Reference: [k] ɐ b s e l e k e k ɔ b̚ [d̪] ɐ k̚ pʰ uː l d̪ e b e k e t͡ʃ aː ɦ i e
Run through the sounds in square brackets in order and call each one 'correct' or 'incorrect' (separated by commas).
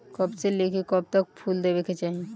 correct, incorrect